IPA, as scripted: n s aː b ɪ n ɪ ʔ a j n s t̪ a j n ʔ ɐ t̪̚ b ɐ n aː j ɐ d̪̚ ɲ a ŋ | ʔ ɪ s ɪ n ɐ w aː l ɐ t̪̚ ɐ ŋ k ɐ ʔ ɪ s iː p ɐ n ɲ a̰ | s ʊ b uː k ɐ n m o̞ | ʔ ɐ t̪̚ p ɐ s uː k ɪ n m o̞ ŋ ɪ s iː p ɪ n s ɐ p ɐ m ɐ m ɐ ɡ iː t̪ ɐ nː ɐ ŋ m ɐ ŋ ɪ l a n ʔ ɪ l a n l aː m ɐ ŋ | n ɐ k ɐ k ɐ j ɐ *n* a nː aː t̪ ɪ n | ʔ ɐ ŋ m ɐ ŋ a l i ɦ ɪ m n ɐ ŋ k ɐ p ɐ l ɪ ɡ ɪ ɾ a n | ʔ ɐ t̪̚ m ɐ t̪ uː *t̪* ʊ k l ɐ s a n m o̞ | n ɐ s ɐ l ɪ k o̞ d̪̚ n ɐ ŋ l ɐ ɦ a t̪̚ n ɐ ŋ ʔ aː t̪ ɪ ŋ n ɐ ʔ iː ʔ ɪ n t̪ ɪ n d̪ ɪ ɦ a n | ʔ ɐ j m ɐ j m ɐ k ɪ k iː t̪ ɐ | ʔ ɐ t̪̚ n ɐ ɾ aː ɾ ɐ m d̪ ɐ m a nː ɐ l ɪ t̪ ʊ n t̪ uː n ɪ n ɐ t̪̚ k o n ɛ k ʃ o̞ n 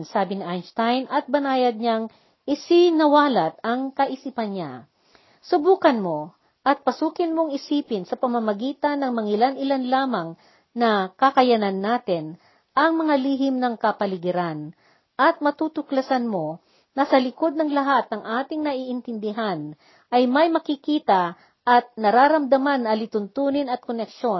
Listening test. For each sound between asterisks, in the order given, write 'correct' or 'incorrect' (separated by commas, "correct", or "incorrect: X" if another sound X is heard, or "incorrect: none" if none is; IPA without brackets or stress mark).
correct, correct